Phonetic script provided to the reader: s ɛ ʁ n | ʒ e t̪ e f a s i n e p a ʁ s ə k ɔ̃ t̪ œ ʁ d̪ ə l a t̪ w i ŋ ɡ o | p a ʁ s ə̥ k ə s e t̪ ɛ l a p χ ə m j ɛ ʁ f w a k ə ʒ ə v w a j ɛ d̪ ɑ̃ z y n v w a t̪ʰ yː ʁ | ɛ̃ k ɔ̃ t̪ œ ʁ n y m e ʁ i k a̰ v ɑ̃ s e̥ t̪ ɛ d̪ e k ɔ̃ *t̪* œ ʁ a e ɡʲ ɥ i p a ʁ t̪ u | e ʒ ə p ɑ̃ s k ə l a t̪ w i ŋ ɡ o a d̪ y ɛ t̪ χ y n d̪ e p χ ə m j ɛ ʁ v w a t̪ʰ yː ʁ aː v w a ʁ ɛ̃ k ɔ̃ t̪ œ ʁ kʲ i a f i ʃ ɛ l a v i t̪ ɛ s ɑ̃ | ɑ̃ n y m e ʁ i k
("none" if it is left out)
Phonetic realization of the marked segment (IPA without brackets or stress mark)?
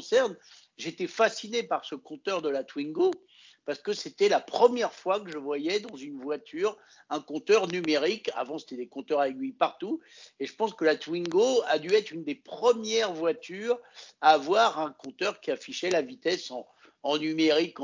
t̪